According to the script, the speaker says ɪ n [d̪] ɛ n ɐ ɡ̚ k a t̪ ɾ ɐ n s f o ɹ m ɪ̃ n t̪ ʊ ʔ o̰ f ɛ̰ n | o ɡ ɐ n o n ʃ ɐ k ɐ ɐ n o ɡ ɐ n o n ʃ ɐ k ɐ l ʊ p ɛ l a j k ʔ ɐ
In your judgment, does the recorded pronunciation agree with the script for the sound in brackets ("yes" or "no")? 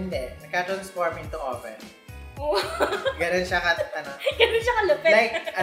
yes